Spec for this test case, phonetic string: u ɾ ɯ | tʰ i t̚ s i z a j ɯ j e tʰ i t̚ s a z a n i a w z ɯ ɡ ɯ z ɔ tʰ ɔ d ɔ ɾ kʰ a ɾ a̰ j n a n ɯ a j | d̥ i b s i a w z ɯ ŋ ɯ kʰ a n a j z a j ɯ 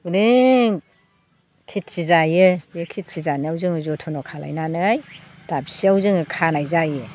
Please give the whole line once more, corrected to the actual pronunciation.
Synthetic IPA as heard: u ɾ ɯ | kʰ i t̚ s i z a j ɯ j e kʰ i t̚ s i z a n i a w z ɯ ŋ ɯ z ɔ tʰ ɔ n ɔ kʰ a l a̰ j n a n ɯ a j | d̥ a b s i a w z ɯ ŋ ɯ kʰ a n a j z a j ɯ